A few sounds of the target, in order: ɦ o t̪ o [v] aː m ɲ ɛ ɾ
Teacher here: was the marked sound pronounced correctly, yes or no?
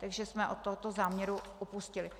no